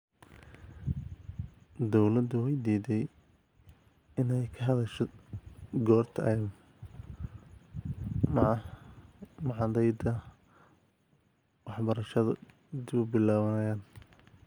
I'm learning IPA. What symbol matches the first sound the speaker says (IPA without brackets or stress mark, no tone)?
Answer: d̪